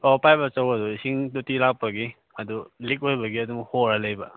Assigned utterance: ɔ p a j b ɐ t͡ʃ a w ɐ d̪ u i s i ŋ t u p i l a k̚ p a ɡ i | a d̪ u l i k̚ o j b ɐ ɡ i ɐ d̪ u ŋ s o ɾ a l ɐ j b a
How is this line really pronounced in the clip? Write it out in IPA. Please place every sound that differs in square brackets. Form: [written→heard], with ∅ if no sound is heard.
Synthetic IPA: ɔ p a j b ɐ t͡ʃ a w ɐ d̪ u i s i ŋ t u [p→t] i l a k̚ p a ɡ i | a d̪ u l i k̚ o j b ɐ ɡ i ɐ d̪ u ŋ [s→h] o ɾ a l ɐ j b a